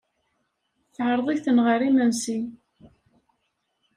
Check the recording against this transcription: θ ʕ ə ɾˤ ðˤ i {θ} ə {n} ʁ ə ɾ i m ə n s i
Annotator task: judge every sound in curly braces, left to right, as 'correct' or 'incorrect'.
correct, correct

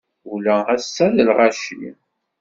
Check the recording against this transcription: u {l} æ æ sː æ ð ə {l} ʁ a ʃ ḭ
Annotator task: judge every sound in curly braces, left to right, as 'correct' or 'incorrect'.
correct, correct

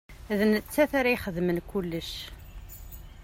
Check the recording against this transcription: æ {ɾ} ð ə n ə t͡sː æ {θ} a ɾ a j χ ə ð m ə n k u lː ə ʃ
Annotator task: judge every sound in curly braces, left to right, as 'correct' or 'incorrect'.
incorrect: none, correct

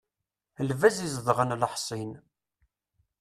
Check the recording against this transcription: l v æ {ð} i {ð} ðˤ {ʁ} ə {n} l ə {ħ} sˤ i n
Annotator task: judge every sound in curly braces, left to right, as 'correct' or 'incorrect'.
incorrect: z, incorrect: z, correct, correct, correct

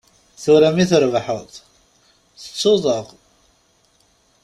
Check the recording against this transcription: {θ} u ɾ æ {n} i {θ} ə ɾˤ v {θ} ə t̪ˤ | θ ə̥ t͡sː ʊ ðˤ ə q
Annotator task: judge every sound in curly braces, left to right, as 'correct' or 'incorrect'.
correct, incorrect: m, correct, incorrect: ħ

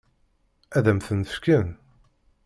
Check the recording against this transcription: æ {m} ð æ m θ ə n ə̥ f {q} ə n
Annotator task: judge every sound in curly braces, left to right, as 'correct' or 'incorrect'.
incorrect: none, incorrect: k

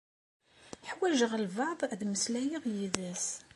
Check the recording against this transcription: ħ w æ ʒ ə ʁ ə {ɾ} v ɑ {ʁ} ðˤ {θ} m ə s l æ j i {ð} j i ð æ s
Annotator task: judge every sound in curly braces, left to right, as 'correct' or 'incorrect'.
incorrect: l, incorrect: ʕ, incorrect: ð, incorrect: ʁ

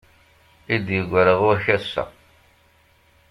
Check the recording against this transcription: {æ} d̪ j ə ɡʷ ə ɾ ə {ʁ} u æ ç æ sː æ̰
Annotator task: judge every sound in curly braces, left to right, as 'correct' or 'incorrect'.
incorrect: i, correct

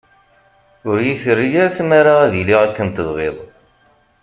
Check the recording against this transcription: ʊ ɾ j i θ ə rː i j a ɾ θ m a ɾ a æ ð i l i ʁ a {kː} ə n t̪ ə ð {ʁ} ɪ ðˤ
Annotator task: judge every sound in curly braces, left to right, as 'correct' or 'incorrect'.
correct, correct

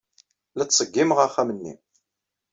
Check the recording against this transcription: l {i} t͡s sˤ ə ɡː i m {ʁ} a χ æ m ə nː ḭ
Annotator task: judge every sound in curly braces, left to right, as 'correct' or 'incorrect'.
incorrect: æ, correct

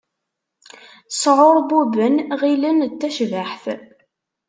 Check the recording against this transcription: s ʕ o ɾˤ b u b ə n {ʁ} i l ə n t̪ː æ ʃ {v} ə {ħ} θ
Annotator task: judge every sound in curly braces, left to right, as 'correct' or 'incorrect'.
correct, correct, correct

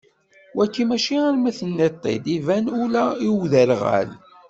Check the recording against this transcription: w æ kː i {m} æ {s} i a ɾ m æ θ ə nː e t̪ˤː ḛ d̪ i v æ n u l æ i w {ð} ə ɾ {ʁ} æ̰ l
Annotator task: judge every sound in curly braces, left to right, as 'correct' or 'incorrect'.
correct, incorrect: ʃ, correct, correct

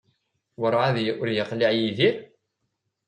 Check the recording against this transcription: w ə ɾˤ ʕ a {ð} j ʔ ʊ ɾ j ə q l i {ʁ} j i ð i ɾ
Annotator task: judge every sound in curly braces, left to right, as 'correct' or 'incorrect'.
correct, incorrect: ʕ

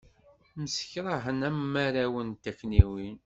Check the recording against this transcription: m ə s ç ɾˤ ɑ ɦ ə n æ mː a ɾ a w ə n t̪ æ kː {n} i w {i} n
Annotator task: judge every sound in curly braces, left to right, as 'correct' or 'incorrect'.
correct, correct

